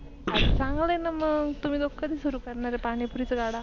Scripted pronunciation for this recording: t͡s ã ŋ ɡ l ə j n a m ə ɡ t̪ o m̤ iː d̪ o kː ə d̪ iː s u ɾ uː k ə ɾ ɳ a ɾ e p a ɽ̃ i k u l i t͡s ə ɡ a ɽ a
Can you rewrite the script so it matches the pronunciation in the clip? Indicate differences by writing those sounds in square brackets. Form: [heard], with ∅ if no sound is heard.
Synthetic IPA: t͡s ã ŋ ɡ l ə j n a m ə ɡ t̪ [u] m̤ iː d̪ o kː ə d̪ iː s u ɾ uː k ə ɾ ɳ a ɾ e p a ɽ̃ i [p] u [ɾ] i t͡s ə ɡ a ɽ a